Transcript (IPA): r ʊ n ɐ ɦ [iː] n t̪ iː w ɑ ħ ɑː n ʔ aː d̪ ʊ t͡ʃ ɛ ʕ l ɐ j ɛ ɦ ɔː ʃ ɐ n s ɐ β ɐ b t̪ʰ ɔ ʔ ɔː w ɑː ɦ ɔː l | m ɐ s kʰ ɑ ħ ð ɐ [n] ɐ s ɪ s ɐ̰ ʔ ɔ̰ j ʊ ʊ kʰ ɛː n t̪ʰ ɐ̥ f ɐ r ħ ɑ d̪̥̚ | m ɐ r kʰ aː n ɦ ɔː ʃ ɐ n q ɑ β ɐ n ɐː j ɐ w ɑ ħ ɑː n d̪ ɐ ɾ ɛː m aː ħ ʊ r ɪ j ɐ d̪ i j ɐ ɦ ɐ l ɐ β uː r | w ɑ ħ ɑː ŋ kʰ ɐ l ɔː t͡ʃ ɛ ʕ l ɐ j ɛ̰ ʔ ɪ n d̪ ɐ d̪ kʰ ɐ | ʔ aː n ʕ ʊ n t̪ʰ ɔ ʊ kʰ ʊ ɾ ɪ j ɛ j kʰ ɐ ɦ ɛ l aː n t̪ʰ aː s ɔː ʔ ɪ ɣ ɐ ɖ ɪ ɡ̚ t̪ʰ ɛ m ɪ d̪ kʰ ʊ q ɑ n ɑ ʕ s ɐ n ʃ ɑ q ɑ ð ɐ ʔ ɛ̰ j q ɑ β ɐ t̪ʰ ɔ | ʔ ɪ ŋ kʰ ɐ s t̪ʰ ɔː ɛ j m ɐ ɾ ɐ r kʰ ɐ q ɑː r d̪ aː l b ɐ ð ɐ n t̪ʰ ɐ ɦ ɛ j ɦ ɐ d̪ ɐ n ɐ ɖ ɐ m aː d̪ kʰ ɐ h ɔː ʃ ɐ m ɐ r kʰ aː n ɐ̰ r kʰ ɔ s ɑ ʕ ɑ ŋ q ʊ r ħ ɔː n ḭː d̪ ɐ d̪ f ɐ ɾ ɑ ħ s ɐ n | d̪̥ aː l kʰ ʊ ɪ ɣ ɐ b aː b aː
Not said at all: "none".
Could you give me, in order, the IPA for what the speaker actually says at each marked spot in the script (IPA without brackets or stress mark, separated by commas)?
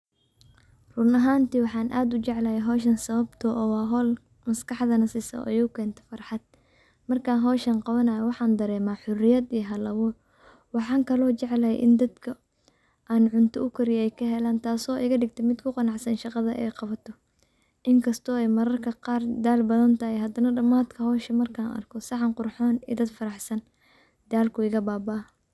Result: aː, n